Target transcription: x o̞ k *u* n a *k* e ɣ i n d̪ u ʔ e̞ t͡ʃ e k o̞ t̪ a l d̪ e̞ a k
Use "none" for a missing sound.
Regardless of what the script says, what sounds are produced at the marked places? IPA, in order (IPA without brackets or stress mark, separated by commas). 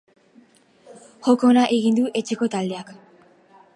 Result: o, ʔ